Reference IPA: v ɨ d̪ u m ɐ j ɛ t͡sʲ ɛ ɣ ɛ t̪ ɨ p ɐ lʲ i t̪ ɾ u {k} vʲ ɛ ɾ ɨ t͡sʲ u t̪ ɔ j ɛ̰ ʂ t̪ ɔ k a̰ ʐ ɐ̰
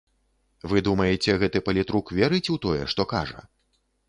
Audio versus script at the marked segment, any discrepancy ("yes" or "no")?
no